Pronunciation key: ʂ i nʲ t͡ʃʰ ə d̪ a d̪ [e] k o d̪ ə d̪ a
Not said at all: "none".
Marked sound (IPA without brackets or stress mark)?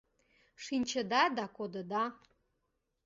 a